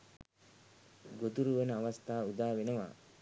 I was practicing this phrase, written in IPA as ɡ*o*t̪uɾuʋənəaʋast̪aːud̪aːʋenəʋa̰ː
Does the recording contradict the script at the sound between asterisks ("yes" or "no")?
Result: no